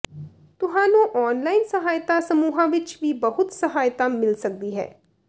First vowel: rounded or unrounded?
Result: rounded